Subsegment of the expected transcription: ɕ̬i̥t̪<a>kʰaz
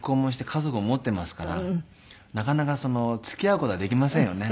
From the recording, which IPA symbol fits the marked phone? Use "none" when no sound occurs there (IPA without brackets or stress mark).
e